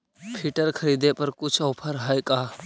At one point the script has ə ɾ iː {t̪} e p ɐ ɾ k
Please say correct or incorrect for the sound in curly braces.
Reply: incorrect: d̪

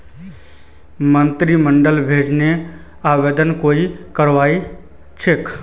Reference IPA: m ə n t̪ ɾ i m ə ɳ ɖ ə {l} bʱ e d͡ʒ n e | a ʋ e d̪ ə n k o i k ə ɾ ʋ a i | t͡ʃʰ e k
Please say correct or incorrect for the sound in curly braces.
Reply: correct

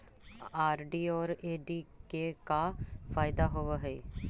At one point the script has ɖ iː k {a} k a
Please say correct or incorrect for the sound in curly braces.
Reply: incorrect: e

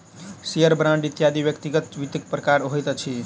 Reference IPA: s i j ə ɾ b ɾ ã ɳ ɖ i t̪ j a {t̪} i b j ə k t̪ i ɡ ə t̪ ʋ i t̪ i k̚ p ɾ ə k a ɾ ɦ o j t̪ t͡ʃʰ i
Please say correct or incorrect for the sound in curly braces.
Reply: incorrect: d̪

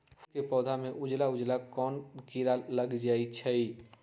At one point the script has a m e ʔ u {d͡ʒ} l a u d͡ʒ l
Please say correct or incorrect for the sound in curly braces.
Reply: correct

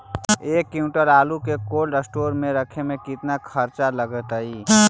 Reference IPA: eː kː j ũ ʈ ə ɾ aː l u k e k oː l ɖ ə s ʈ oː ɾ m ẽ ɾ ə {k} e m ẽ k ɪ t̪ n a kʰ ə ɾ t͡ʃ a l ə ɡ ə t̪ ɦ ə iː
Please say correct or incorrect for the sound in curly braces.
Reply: incorrect: kʰ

